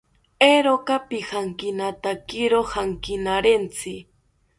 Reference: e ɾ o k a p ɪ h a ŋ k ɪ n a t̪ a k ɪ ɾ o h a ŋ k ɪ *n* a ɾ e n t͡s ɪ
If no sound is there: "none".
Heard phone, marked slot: n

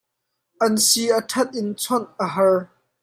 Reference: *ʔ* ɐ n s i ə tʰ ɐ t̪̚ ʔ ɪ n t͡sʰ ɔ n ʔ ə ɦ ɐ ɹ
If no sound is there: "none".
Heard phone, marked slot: ʔ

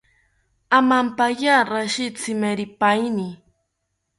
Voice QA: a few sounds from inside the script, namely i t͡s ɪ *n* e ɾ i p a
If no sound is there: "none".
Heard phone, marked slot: m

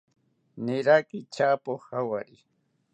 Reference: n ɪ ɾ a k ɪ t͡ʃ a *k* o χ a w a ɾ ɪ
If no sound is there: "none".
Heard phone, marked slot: p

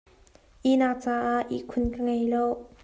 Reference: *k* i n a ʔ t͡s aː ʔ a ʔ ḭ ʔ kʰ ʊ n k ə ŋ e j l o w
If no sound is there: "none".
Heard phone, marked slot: ʔ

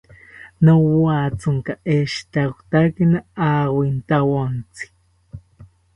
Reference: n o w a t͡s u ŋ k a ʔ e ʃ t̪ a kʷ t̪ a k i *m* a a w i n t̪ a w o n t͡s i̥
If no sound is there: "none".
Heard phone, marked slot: n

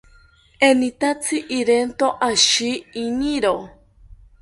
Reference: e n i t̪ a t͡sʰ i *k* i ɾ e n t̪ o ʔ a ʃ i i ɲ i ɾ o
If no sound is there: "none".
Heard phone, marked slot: ʔ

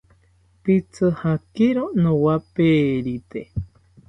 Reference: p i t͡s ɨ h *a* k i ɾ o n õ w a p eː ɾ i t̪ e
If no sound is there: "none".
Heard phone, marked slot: a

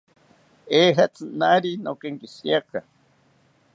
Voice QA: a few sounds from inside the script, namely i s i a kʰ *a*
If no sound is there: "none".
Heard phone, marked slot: a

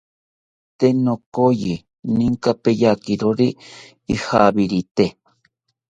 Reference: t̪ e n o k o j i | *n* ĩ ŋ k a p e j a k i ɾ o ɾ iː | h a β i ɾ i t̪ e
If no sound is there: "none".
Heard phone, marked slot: n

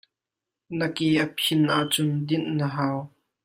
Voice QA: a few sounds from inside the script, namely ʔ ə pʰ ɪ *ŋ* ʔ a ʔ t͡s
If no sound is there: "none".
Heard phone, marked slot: n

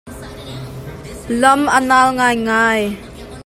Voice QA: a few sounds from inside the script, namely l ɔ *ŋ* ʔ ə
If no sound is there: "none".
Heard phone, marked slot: m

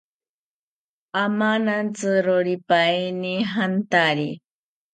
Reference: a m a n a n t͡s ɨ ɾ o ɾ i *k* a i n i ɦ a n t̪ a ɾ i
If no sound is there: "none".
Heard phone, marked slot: p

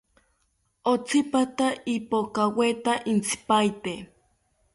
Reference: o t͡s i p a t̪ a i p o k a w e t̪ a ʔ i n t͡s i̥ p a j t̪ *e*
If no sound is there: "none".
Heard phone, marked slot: e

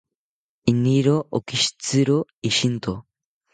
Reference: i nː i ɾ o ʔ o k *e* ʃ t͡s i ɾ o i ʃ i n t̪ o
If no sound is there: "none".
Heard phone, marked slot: i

